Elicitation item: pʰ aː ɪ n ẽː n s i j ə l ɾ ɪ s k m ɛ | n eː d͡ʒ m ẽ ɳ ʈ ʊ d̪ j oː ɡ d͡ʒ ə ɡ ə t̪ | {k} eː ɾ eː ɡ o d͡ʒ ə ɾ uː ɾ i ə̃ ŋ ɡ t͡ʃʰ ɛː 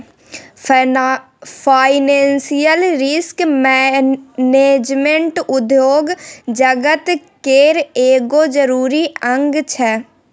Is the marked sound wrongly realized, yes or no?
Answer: no